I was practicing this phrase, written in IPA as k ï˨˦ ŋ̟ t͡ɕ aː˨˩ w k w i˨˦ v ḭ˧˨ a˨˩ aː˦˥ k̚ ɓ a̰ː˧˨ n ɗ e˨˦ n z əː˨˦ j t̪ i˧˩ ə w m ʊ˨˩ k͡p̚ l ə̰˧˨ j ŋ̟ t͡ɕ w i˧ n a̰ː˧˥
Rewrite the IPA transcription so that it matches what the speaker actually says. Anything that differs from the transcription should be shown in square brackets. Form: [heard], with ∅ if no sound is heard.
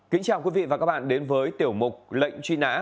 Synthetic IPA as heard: k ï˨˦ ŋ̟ t͡ɕ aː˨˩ w k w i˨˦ v ḭ˧˨ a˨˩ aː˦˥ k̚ ɓ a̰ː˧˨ n ɗ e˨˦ n [v] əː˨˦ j t̪ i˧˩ ə w m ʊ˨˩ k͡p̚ l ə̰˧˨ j ŋ̟ t͡ɕ w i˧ n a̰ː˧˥